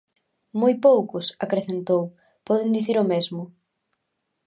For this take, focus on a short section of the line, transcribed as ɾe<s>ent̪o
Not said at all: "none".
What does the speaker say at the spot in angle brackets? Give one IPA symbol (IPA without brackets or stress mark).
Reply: θ